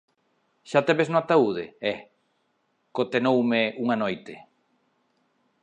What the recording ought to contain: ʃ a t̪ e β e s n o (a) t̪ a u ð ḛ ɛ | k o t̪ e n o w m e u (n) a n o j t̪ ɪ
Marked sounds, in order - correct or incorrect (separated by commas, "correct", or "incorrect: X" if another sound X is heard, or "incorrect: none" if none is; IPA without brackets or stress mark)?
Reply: correct, incorrect: ŋ